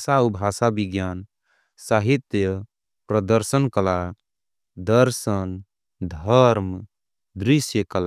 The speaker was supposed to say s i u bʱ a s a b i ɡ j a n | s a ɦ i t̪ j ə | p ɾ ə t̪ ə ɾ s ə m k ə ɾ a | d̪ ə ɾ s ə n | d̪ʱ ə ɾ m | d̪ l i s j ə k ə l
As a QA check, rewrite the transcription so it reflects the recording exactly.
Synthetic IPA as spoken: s a u bʱ a s a b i ɡ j a n | s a ɦ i t̪ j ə | p ɾ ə d̪ ə ɾ s ə n k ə l a | d̪ ə ɾ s ə n | d̪ʱ ə ɾ m | d̪ ɾ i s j ə k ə l